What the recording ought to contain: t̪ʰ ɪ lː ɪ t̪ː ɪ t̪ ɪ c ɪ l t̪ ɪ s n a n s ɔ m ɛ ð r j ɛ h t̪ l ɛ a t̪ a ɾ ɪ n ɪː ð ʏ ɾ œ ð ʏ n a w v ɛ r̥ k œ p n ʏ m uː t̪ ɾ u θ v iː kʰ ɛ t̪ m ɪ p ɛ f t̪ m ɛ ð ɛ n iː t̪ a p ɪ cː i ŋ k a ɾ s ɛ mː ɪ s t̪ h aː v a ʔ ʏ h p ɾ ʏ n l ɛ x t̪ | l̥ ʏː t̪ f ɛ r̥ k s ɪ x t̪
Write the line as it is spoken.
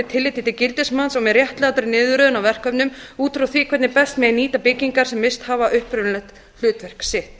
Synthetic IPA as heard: t̪ʰ ɪ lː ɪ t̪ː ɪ t̪ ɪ c ɪ l t̪ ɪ s m a n s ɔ m ɛ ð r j ɛ h t̪ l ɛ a t̪ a ɾ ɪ n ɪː ð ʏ ɾ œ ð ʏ n a w v ɛ r̥ k œ p n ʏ m uː t̪ ɾ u θ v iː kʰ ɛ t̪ n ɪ p ɛ s t̪ m ɛ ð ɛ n iː t̪ a p ɪ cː i ŋ k a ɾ s ɛ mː ɪ s t̪ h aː v a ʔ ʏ h p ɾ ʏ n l ɛ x t̪ | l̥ ʏː t̪ v ɛ r̥ k s ɪ h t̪